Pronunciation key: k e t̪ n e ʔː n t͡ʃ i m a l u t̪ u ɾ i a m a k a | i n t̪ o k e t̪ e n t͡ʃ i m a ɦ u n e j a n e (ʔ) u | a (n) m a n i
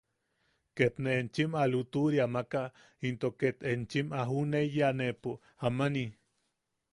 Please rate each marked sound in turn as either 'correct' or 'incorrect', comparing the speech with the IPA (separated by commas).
incorrect, incorrect